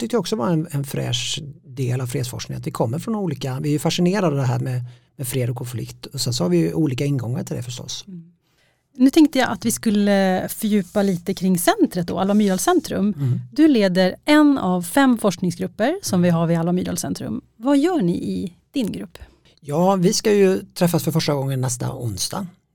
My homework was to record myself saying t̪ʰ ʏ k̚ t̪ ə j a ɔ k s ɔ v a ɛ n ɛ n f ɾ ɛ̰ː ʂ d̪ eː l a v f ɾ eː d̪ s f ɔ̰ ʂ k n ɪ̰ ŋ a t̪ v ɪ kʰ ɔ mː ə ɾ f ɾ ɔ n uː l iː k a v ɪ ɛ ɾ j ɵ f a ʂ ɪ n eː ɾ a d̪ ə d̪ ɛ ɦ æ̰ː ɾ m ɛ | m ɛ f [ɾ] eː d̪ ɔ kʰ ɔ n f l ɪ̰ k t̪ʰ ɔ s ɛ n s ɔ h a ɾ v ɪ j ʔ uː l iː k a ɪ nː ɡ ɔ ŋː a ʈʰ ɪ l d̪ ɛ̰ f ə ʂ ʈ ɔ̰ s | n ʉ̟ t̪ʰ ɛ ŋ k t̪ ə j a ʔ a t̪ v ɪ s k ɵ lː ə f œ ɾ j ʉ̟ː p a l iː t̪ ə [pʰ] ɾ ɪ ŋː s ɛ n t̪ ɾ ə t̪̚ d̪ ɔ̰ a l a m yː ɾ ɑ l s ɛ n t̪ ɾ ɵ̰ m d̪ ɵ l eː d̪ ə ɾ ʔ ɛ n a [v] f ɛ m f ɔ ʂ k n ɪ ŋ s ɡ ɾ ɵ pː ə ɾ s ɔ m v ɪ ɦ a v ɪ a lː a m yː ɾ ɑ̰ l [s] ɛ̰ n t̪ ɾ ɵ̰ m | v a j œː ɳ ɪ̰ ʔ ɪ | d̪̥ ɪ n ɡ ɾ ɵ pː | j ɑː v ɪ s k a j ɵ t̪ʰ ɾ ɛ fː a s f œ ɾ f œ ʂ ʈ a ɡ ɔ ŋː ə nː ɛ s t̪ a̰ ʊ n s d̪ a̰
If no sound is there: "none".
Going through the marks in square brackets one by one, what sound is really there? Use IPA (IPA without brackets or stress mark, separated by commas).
ɾ, kʰ, v, s